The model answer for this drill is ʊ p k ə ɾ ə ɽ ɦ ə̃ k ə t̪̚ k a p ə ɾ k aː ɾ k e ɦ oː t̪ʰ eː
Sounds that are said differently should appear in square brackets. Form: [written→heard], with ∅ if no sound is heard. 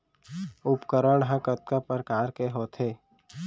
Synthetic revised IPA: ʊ p k ə ɾ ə ɽ ɦ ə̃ k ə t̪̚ k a p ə ɾ k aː ɾ k e ɦ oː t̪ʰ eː